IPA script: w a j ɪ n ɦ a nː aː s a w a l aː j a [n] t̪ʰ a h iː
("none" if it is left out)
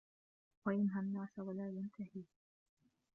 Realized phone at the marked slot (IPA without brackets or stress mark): n